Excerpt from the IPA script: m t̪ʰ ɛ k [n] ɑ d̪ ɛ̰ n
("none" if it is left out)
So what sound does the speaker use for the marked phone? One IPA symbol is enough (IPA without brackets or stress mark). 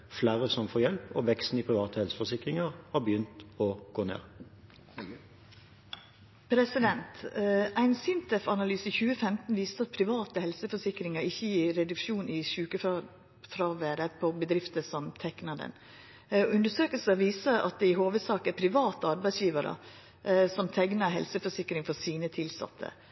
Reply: n